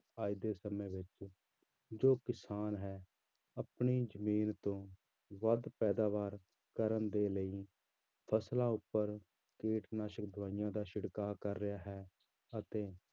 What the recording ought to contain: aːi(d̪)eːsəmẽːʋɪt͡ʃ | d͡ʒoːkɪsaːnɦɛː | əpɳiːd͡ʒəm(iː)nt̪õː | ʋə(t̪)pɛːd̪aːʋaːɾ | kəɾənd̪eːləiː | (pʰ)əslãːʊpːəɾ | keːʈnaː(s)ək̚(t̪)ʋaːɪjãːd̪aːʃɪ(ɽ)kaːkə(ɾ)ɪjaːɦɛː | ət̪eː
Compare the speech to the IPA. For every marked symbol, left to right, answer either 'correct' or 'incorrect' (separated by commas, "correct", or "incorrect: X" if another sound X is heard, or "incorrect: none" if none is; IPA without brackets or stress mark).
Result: correct, correct, incorrect: d̪, correct, incorrect: ʃ, incorrect: d̪, correct, incorrect: ɾː